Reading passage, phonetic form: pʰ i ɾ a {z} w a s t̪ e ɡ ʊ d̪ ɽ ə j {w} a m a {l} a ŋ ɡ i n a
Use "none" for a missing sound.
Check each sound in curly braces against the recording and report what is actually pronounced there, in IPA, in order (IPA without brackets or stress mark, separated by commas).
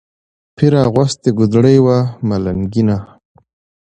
ɣ, w, l